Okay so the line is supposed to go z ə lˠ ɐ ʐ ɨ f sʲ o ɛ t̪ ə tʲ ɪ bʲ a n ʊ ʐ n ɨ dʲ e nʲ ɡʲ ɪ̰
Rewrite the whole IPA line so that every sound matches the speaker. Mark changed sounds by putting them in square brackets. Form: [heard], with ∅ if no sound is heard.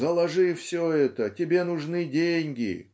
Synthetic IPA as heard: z ə lˠ ɐ ʐ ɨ f sʲ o ɛ t̪ ə tʲ ɪ bʲ [e] n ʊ ʐ n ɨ dʲ e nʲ ɡʲ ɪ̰